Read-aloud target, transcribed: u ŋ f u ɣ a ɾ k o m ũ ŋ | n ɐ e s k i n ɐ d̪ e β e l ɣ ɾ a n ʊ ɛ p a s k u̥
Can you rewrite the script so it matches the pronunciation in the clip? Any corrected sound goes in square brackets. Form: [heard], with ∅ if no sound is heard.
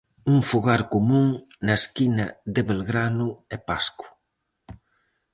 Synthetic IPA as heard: u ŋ f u ɣ a ɾ k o m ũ ŋ | n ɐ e s k i n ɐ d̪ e β e l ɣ ɾ a n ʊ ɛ p a s k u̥